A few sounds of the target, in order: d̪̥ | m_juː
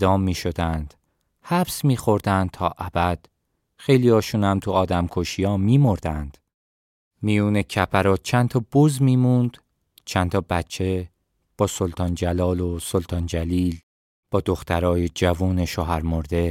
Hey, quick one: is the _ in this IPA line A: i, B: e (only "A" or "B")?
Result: A